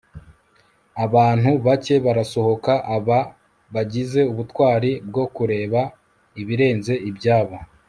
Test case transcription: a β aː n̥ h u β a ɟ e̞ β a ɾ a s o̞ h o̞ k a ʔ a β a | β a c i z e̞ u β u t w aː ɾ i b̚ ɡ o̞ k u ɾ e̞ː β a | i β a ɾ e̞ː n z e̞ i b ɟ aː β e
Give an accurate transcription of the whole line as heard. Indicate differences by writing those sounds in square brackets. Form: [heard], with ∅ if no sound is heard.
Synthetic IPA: a β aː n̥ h u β a [c] e̞ β a ɾ a s o̞ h o̞ k a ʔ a β a | β a [ɟ] i z e̞ u β u t w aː ɾ i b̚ ɡ o̞ k u ɾ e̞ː β a | i β [i] ɾ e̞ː n z e̞ i b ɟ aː β [a]